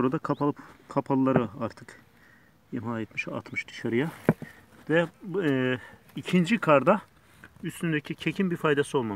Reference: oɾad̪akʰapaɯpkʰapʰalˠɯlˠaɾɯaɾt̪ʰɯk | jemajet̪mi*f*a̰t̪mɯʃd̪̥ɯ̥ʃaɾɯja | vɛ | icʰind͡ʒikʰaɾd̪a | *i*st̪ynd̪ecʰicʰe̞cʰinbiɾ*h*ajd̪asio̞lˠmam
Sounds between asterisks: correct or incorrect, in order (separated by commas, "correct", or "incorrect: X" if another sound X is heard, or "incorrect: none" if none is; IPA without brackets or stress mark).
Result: incorrect: ʃ, incorrect: y, incorrect: f